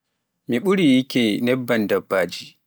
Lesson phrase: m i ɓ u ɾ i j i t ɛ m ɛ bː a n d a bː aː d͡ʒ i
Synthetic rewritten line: m i ɓ u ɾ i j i k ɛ n ɛ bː a n d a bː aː d͡ʒ i